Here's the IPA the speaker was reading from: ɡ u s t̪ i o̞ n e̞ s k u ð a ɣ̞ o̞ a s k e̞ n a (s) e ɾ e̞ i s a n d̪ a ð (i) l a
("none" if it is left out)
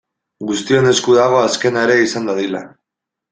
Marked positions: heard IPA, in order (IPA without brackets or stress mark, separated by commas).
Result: none, i